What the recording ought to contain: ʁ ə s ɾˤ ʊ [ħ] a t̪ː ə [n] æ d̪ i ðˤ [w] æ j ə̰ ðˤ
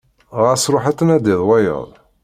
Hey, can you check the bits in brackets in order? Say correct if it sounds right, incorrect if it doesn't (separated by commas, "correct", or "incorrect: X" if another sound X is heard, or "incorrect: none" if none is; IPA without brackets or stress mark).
correct, correct, correct